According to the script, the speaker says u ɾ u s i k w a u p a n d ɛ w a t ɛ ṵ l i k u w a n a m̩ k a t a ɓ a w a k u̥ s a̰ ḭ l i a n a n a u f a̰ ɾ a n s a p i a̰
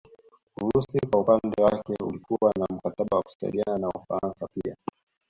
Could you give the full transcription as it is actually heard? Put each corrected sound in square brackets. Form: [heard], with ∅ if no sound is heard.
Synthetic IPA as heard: u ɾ u s i k w a u p a n d ɛ w a [k] ɛ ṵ l i k u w a n a m̩ k a t a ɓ a w a k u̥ s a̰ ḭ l i a n a n a u f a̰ ɾ a n s a p i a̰